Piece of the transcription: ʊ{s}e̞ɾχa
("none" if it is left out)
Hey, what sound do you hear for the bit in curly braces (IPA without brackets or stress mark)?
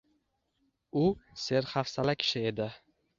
s